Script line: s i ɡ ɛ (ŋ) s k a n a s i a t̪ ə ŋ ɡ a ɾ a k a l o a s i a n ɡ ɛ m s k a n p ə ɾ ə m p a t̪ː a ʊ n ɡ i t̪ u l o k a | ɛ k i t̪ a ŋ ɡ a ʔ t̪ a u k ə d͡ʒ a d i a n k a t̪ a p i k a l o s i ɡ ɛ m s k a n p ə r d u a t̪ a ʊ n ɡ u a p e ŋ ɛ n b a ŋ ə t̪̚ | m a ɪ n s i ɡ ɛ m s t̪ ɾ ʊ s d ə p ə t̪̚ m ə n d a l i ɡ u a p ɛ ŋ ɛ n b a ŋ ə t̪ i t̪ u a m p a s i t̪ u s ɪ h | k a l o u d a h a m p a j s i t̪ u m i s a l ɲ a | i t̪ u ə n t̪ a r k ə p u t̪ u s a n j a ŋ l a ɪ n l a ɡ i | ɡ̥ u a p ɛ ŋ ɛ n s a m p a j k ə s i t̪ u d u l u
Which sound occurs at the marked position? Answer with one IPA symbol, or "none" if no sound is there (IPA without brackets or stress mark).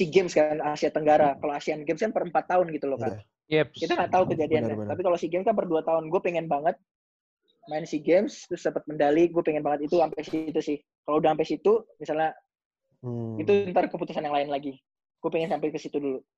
m